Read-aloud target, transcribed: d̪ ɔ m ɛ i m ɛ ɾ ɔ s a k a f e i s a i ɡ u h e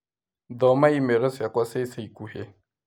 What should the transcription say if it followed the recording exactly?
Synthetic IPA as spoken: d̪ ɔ m a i m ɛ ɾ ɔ s a k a s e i s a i k u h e